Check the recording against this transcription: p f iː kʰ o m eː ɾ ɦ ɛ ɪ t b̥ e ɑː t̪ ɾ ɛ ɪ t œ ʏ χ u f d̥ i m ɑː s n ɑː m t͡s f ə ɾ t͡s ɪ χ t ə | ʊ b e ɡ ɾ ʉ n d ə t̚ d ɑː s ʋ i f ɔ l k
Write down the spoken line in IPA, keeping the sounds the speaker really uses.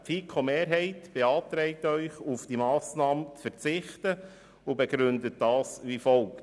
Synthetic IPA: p f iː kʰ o m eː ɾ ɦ ɛ ɪ t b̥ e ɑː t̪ ɾ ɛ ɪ t œ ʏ χ u f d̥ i m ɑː s n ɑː m t͡s f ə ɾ t͡s ɪ χ t ə | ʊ b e ɡ ɾ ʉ n d ə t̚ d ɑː s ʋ i f ɔ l k